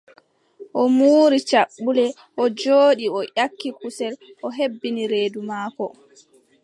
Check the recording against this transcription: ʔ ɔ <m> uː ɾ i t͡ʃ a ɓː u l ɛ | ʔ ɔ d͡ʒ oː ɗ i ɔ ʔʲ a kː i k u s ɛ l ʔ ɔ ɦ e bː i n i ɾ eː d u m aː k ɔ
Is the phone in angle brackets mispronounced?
no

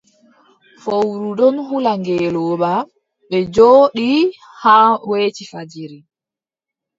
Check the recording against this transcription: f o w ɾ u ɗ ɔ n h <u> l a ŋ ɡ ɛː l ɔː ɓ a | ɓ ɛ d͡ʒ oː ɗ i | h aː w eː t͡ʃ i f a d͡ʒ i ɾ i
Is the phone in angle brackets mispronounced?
no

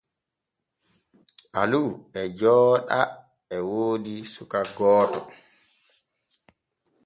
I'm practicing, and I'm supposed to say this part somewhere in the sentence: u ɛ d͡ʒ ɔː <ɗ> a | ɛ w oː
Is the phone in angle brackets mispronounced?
no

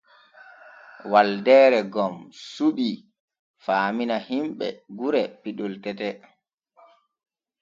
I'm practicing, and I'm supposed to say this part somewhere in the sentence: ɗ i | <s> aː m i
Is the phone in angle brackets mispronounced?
yes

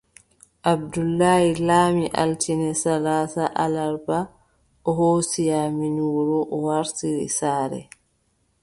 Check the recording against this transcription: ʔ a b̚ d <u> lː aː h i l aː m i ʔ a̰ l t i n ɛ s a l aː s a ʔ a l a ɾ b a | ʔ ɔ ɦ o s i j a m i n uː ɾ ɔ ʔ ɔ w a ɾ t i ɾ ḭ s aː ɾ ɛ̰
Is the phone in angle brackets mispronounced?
no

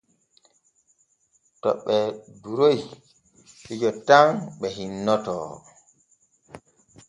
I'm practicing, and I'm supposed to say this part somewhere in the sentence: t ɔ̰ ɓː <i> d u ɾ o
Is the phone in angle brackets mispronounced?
yes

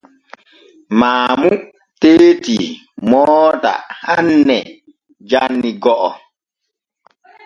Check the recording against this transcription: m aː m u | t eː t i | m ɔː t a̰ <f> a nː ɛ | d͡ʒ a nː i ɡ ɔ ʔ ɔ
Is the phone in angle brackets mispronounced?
yes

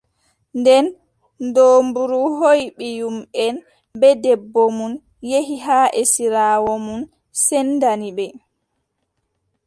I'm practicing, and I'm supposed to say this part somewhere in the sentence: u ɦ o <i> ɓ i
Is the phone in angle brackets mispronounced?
yes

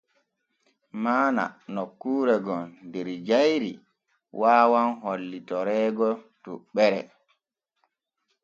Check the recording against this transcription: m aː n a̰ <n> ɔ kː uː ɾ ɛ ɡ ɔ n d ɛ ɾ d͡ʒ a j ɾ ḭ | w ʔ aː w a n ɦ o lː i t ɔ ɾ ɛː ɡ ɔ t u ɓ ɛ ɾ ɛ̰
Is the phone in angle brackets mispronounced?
no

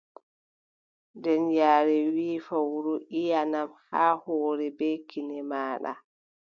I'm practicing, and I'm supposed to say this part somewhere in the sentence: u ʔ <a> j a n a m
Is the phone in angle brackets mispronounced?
yes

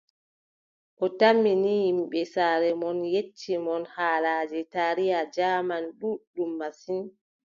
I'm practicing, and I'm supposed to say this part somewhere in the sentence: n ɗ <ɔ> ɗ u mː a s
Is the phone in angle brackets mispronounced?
yes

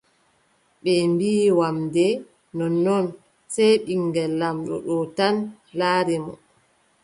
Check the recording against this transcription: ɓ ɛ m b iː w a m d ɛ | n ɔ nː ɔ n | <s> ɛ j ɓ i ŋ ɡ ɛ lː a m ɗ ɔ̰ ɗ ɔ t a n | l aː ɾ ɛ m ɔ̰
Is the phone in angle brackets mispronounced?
no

